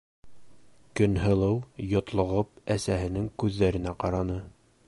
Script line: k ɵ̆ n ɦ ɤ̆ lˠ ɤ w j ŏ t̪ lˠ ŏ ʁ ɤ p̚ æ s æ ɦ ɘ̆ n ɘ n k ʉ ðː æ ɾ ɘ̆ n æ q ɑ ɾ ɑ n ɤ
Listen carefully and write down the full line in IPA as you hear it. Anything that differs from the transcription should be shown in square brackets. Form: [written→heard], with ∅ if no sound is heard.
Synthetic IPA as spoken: k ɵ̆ n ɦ ɤ̆ lˠ ɤ w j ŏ t̪ lˠ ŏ ʁ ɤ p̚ æ s æ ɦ ɘ̆ n ɘ [n→ŋ] k ʉ ðː æ ɾ ɘ̆ n æ q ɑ ɾ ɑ n ɤ